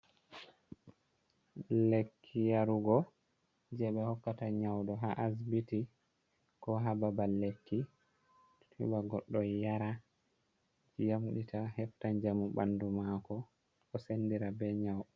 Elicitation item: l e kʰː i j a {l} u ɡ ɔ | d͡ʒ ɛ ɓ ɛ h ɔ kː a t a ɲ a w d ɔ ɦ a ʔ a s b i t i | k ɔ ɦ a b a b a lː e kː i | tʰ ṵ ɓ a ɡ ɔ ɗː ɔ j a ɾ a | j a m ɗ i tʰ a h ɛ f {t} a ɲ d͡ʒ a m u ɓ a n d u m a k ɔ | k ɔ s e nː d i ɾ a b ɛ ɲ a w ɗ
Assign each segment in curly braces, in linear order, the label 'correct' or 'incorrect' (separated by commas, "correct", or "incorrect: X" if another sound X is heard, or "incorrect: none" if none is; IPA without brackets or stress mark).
incorrect: ɾ, correct